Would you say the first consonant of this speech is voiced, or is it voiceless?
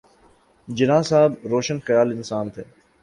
voiced